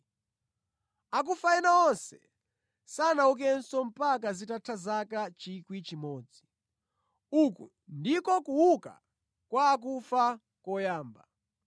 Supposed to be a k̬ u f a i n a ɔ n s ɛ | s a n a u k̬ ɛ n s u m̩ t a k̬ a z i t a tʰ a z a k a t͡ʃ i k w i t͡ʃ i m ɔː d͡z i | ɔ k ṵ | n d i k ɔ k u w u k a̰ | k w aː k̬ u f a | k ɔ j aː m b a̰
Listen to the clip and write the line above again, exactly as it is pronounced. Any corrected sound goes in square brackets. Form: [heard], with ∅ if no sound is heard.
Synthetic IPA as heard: a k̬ u f a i n a ɔ n s ɛ | s a n a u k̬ ɛ n s [ɔ] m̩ [p] a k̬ a z i t a tʰ a z a k a t͡ʃ i k w i t͡ʃ i m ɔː d͡z i | [u] k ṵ | n d i k ɔ k u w u k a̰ | k w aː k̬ u f a | k ɔ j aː m b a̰